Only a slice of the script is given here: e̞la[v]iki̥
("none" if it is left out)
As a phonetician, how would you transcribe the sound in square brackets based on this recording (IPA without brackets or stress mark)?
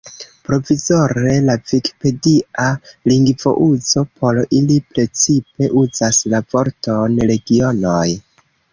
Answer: v